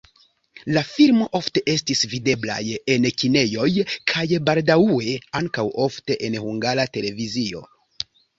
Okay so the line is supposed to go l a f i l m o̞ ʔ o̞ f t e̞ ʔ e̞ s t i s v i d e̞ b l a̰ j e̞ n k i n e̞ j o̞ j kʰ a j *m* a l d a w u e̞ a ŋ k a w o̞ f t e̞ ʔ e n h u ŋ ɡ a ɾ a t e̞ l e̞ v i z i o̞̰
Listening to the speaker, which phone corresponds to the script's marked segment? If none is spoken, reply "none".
b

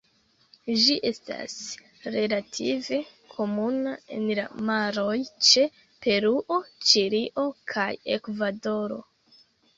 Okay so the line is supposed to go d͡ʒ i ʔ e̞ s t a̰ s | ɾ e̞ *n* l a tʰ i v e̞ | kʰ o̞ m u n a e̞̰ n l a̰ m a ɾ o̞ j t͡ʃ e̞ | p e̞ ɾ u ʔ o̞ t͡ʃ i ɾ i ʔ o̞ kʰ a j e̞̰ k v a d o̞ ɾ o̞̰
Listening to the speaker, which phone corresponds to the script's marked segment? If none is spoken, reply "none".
none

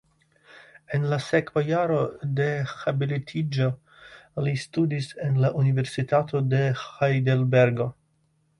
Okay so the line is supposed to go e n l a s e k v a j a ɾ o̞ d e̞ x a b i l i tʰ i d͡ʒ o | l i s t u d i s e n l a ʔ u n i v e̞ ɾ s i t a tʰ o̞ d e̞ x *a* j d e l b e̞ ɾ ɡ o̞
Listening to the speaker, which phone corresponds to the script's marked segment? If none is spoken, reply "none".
a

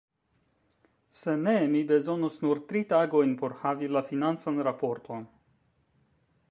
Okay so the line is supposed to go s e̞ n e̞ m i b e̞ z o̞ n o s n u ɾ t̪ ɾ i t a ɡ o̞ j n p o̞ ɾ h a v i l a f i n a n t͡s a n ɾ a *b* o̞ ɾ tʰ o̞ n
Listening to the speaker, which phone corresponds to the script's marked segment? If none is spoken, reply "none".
p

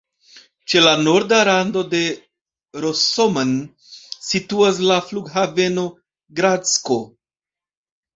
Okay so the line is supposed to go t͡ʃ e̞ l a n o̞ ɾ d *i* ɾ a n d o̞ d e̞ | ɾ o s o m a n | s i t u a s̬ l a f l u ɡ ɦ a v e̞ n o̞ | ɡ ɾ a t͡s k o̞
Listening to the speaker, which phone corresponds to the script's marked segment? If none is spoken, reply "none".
a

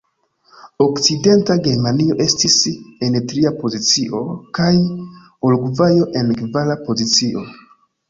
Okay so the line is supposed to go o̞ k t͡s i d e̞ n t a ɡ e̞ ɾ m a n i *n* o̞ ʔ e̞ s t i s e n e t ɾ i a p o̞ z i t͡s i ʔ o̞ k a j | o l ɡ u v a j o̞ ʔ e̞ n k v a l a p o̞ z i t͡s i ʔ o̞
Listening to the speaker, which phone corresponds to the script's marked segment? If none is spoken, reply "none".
none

